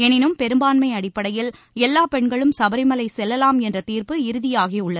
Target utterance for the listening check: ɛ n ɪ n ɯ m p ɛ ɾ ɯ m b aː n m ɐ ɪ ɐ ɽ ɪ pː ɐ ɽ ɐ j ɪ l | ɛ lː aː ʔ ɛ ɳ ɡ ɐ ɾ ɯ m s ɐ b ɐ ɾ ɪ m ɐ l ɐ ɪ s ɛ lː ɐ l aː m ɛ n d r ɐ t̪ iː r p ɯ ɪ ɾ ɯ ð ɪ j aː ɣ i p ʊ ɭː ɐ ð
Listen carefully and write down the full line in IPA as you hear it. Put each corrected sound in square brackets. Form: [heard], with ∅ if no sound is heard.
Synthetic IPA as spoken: ɛ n ɪ n ɯ m p ɛ ɾ ɯ m b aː n m ɐ ɪ ɐ ɽ ɪ pː ɐ ɽ ɐ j ɪ l | ɛ lː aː [p] ɛ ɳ ɡ ɐ [ɭ] ɯ m s ɐ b ɐ ɾ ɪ m ɐ l ɐ ɪ s ɛ lː ɐ l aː m ɛ n d r ɐ t̪ iː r p ɯ ɪ ɾ ɯ ð ɪ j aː ɣ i [∅] ʊ ɭː ɐ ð